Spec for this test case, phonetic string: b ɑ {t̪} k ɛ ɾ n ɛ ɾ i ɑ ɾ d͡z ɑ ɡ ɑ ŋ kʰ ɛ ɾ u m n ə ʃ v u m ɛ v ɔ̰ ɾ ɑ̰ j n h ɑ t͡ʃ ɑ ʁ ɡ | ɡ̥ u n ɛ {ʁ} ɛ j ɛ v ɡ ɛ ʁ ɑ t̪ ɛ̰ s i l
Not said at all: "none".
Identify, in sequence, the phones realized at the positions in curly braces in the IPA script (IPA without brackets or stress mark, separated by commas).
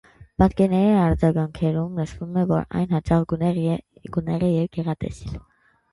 t̪, ʁ